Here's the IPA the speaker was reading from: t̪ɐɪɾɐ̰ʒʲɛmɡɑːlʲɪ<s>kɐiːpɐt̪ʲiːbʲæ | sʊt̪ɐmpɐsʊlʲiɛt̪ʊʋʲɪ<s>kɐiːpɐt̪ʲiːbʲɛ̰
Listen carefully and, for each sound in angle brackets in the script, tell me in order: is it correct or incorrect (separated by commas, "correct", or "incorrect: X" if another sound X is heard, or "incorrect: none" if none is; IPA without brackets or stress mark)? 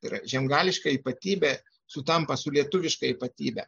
incorrect: ʃ, incorrect: ʃ